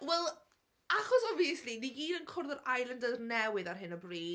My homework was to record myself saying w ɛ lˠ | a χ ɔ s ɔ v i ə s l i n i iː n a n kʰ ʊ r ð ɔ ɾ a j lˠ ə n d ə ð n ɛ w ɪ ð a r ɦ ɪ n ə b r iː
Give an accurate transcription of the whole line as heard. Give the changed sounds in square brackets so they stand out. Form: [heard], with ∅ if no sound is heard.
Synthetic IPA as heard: w ɛ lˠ | a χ ɔ s ɔ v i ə s l i n i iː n [ə] n kʰ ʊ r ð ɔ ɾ a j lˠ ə n d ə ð n ɛ w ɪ ð a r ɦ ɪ n ə b r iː